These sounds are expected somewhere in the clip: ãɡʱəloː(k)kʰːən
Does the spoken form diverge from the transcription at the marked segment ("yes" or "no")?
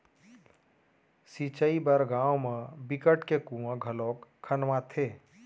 no